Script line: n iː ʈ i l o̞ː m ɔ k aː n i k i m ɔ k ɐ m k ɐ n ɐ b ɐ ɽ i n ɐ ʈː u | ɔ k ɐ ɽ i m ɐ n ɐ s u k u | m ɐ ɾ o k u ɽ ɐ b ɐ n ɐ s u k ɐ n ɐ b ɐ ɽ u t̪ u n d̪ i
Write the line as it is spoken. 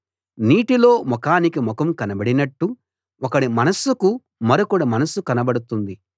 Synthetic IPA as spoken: n iː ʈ i l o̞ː m ɔ k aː n i k i m ɔ k ɐ m k ɐ n ɐ b ɐ ɽ i n ɐ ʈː u | ɔ k ɐ ɽ i m ɐ n ɐ s u k u | m ɐ ɾ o k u ɽ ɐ m ɐ n ɐ s u k ɐ n ɐ b ɐ ɽ u t̪ u n d̪ i